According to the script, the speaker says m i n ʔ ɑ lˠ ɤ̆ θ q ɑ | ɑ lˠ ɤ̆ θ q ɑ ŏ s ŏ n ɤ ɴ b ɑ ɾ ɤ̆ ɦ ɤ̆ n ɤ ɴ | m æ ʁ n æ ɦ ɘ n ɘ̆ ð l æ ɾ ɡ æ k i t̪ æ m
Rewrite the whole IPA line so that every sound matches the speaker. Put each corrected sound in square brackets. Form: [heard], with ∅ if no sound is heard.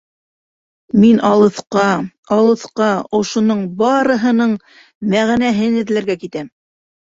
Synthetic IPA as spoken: m i n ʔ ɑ lˠ ɤ̆ θ q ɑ | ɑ lˠ ɤ̆ θ q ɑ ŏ [ʃ] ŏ n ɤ ɴ b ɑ ɾ ɤ̆ ɦ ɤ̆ n ɤ ɴ | m æ ʁ n æ ɦ ɘ n ɘ̆ ð l æ ɾ ɡ æ k i t̪ æ m

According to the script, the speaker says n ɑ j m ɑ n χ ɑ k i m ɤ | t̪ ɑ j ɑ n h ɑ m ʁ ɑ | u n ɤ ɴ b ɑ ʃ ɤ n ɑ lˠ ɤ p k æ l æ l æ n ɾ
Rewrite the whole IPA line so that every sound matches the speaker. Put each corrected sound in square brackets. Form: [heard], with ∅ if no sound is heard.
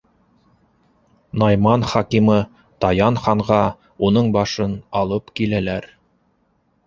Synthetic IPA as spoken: n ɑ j m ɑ n χ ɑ k i m ɤ | t̪ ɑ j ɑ n [χ] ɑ [ɴ] ʁ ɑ | u n ɤ ɴ b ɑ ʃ ɤ n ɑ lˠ ɤ p k [i] l æ l æ [∅] ɾ

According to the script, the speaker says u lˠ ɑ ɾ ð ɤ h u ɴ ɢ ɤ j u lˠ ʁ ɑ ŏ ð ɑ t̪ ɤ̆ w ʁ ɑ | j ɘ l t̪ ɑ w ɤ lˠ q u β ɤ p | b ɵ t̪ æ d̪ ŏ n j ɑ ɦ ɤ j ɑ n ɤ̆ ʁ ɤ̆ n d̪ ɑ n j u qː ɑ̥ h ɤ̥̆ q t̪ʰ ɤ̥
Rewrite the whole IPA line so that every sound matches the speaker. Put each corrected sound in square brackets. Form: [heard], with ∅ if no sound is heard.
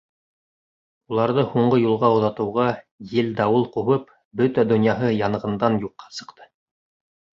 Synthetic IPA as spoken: u lˠ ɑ ɾ ð ɤ h u ɴ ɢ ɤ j u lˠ ʁ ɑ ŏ ð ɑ t̪ ɤ̆ w ʁ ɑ | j ɘ l [d̪] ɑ w ɤ lˠ q u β ɤ p | b ɵ t̪ æ d̪ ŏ n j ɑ ɦ ɤ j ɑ n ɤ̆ ʁ ɤ̆ n d̪ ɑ n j u qː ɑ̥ [s] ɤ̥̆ q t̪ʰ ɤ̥

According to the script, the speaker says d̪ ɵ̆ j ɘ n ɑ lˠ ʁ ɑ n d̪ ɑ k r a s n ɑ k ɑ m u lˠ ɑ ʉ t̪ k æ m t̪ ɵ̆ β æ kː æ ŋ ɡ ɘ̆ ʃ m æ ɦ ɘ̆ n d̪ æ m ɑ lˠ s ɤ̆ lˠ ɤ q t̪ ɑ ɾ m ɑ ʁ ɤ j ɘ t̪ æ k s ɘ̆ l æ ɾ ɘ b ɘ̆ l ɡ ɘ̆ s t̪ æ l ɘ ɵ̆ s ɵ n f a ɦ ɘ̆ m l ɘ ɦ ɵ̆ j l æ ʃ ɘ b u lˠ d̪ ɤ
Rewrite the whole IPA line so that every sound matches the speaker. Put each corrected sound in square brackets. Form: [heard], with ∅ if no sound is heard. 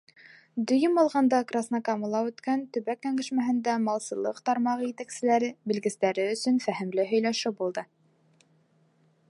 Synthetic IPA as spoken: d̪ ɵ̆ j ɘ [m] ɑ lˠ ʁ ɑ n d̪ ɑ k r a s n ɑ k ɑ m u lˠ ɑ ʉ t̪ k æ [n] t̪ ɵ̆ β æ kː æ ŋ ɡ ɘ̆ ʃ m æ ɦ ɘ̆ n d̪ æ m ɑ lˠ s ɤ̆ lˠ ɤ q t̪ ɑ ɾ m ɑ ʁ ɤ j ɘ t̪ æ k s ɘ̆ l æ ɾ ɘ b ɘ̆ l ɡ ɘ̆ s t̪ æ [ɾ] ɘ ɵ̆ s ɵ n f [æ] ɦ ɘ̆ m l ɘ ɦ ɵ̆ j l æ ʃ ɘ b u lˠ d̪ ɤ

